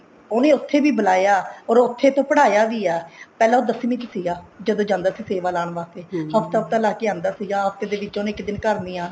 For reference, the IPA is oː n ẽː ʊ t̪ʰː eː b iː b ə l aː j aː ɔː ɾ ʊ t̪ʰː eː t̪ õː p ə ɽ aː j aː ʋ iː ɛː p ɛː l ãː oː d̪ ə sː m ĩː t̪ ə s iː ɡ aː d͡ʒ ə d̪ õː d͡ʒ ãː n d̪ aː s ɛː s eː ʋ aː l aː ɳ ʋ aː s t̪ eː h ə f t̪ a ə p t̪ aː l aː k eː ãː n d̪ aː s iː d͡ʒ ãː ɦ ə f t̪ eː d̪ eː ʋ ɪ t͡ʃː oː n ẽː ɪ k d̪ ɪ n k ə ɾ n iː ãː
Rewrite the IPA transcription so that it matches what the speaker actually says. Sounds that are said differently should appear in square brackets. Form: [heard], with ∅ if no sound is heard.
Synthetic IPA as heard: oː n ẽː ʊ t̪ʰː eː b iː b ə l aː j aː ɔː ɾ ʊ t̪ʰː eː t̪ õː p ə ɽ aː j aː ʋ iː ɛː p ɛː l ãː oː d̪ ə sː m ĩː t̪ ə s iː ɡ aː d͡ʒ ə d̪ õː d͡ʒ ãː n d̪ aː s [iː] s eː ʋ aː l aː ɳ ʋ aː s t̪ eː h ə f t̪ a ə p t̪ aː l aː k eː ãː n d̪ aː s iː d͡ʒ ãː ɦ ə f t̪ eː d̪ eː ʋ ɪ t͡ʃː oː n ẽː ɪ k d̪ ɪ n k ə ɾ n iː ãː